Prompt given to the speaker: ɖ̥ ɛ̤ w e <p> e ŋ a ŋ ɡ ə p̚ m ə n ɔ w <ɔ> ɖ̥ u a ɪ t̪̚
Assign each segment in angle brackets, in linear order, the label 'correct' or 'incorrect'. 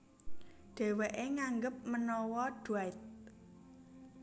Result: incorrect, correct

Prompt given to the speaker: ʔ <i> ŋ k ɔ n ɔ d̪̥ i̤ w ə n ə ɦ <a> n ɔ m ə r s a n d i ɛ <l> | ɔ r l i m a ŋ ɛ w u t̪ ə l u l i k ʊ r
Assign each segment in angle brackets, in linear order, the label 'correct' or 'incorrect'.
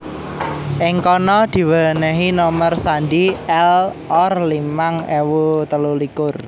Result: incorrect, incorrect, correct

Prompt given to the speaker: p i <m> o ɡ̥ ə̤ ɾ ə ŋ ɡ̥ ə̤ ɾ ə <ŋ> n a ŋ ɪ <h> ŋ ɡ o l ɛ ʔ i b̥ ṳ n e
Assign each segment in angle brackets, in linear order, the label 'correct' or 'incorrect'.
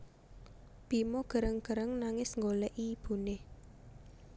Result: correct, correct, incorrect

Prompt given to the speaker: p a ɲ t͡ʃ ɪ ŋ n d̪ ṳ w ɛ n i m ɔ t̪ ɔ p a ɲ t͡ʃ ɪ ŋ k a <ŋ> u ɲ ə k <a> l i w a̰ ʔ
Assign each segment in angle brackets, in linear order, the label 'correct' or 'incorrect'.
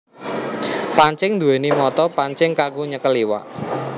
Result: incorrect, incorrect

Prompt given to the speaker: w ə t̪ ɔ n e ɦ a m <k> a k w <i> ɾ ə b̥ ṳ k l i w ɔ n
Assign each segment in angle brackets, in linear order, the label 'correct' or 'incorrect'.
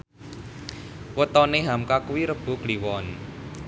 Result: correct, correct

